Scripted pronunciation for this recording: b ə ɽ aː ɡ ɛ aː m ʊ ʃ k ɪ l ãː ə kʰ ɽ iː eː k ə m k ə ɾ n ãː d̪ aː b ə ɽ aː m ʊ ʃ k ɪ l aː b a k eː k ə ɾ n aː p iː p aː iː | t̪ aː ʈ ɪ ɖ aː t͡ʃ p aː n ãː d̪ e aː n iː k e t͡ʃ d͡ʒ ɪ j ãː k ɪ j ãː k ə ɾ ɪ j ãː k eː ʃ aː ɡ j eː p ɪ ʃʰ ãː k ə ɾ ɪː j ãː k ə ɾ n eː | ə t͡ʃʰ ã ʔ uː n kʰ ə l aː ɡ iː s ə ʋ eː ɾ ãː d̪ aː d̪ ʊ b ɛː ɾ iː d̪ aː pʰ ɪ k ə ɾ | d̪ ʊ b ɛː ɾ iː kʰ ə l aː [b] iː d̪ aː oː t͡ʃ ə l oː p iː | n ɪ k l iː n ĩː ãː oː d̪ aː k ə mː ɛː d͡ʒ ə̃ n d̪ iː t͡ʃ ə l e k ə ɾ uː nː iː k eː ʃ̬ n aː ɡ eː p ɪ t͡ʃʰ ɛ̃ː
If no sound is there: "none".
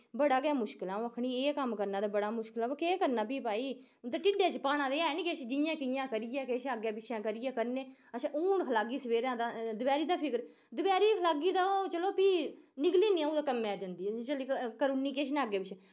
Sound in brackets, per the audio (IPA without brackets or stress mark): ɡ